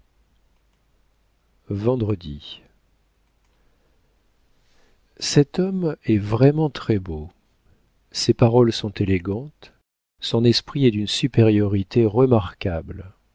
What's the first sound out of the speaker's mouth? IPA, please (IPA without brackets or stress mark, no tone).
v